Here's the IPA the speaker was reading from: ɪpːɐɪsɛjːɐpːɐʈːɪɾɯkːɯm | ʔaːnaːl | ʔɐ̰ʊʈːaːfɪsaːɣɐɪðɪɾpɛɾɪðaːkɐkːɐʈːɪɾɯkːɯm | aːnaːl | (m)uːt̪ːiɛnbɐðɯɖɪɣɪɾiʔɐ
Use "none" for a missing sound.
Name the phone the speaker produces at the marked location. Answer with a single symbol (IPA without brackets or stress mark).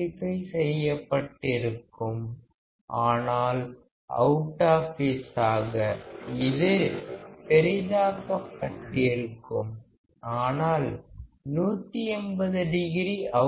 n